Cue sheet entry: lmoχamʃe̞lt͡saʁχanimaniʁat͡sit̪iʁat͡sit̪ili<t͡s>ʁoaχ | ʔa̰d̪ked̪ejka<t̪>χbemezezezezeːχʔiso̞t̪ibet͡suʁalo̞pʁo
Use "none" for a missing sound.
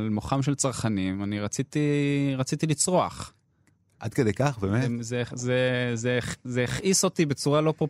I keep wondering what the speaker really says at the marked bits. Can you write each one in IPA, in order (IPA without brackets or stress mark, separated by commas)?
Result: t͡s, none